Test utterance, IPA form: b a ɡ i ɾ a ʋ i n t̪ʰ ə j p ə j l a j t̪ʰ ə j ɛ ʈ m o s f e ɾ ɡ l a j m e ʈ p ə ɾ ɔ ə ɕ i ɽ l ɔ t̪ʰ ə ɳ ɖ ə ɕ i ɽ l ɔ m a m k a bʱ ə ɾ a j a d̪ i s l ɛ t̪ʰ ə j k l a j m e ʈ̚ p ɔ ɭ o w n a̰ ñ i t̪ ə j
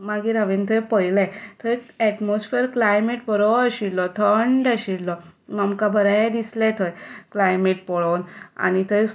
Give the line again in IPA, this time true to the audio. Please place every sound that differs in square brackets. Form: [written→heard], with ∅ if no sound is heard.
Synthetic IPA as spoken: [b→m] a ɡ i ɾ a ʋ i n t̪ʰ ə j p ə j l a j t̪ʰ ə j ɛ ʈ m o s f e ɾ [ɡ→k] l a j m e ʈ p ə ɾ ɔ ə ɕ i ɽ l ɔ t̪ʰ ə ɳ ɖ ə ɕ i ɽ l ɔ m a m k a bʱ ə ɾ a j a d̪ i s l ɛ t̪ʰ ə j k l a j m e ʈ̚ p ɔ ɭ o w n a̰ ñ i t̪ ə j